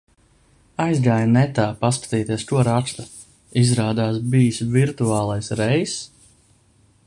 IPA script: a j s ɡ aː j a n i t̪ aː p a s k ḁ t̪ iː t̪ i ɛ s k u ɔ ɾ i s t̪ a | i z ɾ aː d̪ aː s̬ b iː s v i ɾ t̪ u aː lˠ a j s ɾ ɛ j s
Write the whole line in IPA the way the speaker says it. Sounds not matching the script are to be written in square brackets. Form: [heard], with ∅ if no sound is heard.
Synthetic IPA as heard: a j [z] ɡ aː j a n [ɛ] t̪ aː p a s k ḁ t̪ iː t̪ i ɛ s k u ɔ ɾ [a] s t̪ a | i z ɾ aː d̪ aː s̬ b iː s v i ɾ t̪ u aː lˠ a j s ɾ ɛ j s